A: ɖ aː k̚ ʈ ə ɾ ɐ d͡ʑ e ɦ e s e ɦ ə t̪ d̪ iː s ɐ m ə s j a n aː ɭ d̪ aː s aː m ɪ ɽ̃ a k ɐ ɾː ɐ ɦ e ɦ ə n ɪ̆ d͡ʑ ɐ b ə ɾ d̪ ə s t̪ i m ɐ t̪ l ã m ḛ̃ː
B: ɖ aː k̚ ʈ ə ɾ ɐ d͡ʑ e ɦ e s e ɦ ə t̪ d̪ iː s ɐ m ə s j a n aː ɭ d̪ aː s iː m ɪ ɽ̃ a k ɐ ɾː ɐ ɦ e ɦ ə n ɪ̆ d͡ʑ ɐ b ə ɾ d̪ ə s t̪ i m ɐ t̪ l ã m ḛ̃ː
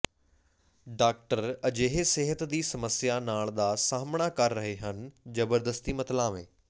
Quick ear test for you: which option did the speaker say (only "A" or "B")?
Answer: A